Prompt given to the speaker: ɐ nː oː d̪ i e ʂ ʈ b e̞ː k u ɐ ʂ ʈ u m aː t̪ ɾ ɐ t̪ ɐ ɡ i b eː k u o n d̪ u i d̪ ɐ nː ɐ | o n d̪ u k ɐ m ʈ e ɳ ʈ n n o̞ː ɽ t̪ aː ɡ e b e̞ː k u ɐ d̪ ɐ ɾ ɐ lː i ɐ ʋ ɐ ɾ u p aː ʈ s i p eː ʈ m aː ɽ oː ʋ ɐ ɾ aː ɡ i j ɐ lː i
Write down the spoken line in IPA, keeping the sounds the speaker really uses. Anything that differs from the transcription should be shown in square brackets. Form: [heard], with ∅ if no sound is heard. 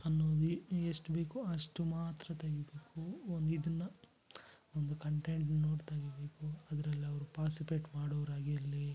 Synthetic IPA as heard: ɐ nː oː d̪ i e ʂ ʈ b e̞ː k u ɐ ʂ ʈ u m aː t̪ ɾ ɐ t̪ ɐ ɡ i b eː k u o n d̪ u i d̪ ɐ nː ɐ | o n d̪ u k ɐ [ɳ] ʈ e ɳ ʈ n n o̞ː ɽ t̪ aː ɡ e b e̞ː k u ɐ d̪ ɐ ɾ ɐ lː i ɐ ʋ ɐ ɾ u p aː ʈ s i p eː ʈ m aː ɽ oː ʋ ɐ ɾ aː ɡ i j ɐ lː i